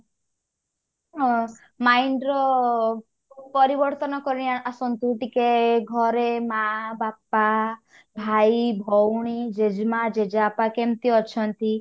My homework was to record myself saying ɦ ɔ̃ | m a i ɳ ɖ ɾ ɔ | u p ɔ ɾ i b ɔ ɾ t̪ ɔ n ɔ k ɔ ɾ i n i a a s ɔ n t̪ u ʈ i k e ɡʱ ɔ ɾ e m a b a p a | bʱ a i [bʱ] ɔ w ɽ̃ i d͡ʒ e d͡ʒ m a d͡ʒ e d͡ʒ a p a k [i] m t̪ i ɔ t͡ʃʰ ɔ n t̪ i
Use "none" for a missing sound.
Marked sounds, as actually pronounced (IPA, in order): bʱ, e

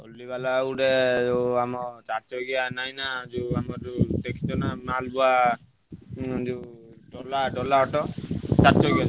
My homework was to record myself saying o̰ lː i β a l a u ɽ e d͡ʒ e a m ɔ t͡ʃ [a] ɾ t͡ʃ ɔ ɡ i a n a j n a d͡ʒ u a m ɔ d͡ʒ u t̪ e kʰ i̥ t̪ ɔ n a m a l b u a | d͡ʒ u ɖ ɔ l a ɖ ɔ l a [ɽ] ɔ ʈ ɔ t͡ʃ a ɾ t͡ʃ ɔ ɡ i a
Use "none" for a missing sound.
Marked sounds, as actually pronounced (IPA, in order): a, none

